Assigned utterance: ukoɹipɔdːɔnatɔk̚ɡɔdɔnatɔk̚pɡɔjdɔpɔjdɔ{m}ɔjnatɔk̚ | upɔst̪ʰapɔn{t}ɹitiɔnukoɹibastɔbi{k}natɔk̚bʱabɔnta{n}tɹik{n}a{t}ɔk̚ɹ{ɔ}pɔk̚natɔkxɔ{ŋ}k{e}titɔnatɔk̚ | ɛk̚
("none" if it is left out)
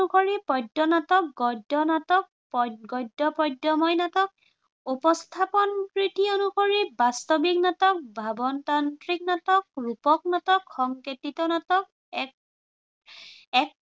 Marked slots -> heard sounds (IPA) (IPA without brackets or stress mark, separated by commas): m, k, k, n, n, t, u, ŋ, e